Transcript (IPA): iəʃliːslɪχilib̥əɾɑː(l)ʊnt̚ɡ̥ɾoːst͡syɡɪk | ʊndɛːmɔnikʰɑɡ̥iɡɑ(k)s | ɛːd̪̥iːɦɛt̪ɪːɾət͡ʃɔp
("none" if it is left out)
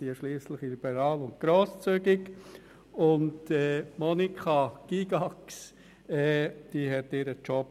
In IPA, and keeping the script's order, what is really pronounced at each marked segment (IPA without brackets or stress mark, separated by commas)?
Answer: l, k